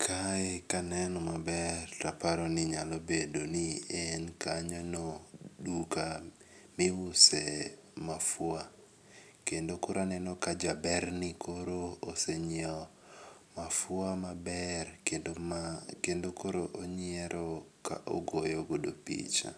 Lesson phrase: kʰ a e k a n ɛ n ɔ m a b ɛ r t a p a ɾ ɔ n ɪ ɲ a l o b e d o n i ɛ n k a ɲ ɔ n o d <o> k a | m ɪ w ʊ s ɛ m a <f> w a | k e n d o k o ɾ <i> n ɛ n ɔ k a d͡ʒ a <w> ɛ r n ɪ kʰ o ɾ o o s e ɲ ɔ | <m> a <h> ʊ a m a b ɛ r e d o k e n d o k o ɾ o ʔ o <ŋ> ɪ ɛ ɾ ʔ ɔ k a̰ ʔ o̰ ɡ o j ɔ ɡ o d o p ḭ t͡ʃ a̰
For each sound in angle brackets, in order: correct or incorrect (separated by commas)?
incorrect, correct, incorrect, incorrect, correct, incorrect, incorrect